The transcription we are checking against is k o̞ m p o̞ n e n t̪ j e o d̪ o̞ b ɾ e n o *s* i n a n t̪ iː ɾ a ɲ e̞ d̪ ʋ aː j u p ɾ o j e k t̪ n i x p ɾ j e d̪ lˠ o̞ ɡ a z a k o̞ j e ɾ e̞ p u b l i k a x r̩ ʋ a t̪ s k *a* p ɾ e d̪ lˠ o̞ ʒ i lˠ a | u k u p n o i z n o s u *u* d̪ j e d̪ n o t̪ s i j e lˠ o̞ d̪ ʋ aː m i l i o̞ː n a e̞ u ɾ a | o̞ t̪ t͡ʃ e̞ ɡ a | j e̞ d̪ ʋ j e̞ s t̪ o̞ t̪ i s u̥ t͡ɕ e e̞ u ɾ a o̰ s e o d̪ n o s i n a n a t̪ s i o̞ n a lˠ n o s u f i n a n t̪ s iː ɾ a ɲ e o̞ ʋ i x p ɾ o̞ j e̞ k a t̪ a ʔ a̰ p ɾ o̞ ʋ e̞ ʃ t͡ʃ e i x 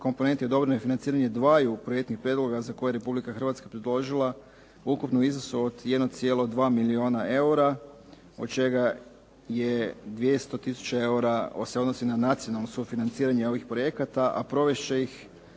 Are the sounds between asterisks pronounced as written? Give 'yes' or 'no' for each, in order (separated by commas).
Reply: no, yes, no